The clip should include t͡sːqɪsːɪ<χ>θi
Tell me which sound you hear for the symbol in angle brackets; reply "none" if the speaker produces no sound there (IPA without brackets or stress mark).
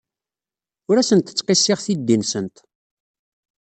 ʁ